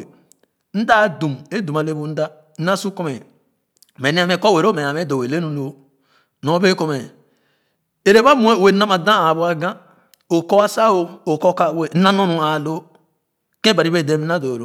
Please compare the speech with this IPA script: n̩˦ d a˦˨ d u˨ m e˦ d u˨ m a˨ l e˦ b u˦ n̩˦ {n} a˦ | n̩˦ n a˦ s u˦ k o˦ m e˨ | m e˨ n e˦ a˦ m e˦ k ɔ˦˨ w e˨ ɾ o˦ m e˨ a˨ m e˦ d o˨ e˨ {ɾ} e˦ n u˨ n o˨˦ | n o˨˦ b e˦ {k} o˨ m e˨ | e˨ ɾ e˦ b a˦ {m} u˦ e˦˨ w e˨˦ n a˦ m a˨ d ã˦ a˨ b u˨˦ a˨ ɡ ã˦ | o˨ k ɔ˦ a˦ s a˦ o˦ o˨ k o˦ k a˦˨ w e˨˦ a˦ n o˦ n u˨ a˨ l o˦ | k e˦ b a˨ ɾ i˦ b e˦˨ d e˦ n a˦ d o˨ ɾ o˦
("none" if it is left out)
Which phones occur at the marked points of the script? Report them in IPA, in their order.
d, l, k, m

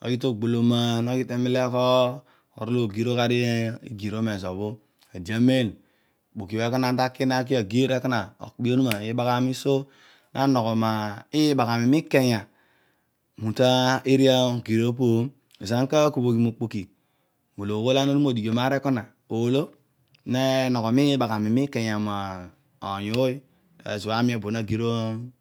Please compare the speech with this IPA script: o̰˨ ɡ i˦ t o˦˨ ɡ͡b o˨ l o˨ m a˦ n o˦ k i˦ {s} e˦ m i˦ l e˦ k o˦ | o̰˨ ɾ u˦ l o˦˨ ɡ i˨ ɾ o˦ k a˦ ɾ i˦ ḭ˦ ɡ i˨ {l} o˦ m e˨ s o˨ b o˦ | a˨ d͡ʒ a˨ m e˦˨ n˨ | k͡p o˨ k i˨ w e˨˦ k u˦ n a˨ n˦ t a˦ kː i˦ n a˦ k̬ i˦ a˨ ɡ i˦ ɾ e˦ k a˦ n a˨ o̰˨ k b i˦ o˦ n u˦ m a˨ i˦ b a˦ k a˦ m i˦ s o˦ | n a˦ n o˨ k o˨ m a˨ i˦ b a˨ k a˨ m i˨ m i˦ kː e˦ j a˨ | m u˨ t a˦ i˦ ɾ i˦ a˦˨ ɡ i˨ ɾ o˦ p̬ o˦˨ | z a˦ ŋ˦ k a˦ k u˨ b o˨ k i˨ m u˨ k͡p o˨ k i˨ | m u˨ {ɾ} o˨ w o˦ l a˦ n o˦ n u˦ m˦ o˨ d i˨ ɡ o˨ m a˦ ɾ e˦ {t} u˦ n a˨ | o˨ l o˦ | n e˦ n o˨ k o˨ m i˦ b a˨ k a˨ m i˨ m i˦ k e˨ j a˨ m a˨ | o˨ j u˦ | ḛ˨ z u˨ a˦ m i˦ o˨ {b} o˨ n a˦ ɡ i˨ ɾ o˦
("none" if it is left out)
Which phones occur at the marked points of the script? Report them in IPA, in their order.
t, ɾ, l, k, b

